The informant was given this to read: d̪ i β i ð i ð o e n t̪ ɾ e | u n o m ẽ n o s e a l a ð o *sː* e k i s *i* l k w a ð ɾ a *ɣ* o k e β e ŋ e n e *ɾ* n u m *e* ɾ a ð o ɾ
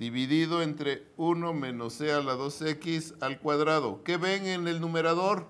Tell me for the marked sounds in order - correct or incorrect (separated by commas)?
incorrect, incorrect, incorrect, incorrect, correct